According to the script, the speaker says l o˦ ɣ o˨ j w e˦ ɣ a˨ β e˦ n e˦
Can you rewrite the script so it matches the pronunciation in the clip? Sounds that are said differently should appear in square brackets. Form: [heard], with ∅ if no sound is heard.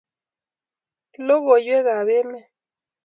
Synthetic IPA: l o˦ ɣ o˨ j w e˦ ɣ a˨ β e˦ [m] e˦